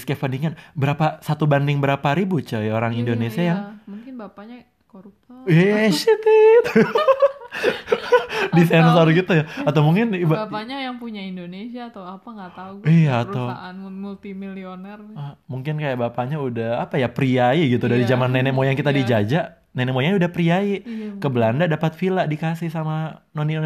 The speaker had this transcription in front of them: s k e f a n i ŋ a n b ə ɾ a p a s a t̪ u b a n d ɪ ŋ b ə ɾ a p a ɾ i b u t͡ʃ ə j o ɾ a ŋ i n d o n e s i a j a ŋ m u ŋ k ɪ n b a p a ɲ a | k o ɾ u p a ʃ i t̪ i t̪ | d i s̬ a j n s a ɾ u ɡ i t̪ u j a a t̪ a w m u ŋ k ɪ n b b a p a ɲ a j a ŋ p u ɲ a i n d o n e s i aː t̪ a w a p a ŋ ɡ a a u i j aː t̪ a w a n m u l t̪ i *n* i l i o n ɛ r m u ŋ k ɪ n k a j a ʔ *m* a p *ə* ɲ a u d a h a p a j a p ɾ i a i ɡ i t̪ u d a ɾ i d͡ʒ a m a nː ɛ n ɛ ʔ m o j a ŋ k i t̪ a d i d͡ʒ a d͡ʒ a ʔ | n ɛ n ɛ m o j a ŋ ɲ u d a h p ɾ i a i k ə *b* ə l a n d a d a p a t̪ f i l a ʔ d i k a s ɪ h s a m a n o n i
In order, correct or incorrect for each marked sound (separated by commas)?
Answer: incorrect, incorrect, incorrect, correct